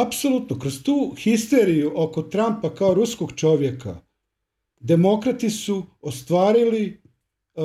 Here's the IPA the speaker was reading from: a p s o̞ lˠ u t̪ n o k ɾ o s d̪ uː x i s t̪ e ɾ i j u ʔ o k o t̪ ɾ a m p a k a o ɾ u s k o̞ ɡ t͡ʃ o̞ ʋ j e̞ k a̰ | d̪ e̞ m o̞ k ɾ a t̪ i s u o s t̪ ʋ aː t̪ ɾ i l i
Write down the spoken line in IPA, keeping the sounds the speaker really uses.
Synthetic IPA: a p s o̞ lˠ u t̪ n o k ɾ o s t̪ uː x i s t̪ e ɾ i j u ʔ o k o t̪ ɾ a m p a k a o ɾ u s k o̞ ɡ t͡ʃ o̞ ʋ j e̞ k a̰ | d̪ e̞ m o̞ k ɾ a t̪ i s u o s t̪ ʋ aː ɾ i l i